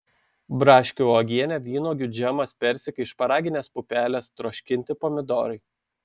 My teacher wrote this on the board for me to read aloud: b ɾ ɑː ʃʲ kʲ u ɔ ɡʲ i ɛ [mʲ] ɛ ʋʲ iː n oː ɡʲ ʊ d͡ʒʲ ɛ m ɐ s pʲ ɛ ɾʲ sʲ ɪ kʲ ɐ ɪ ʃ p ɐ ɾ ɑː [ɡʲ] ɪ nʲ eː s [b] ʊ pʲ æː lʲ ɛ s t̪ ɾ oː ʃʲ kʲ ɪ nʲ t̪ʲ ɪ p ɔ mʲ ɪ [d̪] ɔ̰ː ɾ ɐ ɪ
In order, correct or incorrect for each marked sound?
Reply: incorrect: nʲ, correct, incorrect: p, correct

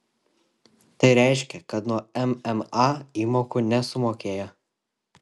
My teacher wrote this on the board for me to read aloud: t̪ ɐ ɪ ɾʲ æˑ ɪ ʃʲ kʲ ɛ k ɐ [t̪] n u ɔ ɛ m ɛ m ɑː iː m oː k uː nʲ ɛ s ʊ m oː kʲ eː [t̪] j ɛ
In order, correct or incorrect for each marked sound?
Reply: correct, incorrect: none

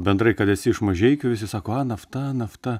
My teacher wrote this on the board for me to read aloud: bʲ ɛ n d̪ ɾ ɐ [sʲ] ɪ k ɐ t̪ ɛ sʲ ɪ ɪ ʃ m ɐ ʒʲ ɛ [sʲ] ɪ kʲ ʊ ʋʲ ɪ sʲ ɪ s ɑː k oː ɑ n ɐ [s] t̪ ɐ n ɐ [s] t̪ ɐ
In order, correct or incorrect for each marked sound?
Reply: incorrect: none, incorrect: none, incorrect: f, incorrect: f

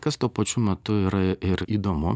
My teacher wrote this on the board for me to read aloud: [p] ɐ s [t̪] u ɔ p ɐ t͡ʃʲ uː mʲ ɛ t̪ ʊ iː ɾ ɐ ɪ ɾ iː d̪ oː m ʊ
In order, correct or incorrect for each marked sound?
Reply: incorrect: k, correct

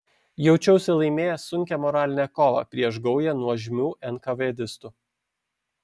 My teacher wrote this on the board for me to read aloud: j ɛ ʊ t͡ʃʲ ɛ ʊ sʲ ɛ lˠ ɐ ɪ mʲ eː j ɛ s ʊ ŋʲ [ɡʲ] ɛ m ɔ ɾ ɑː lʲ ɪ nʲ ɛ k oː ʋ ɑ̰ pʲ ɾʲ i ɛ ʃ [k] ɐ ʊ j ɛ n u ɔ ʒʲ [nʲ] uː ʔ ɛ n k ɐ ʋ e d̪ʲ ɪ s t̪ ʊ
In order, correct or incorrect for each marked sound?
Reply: incorrect: kʲ, incorrect: ɡ, incorrect: mʲ

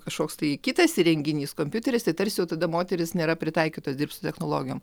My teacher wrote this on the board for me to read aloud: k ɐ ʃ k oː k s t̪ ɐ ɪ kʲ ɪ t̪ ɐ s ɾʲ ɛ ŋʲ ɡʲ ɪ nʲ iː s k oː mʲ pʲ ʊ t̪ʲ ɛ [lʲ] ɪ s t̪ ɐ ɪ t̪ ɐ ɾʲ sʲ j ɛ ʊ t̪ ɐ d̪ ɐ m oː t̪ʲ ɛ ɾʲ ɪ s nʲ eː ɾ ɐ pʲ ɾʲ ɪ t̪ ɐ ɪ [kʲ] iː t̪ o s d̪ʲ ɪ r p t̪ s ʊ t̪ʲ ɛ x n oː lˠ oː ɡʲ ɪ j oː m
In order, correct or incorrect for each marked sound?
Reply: incorrect: ɾʲ, correct

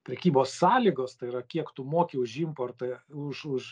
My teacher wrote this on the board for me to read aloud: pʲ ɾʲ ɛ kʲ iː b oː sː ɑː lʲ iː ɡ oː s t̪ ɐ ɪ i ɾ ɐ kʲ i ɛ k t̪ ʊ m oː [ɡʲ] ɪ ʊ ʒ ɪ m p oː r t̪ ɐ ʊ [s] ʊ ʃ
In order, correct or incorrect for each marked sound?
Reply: incorrect: kʲ, incorrect: ʃ

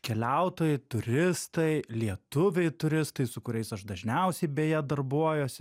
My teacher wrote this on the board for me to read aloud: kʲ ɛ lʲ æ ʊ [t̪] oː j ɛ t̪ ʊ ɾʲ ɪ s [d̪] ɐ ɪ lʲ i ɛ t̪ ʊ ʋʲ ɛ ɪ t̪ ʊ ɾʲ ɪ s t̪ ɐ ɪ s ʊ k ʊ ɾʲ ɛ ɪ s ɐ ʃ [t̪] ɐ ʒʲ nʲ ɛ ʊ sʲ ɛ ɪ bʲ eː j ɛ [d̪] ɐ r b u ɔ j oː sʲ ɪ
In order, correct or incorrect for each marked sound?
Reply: correct, incorrect: t̪, incorrect: d̪, correct

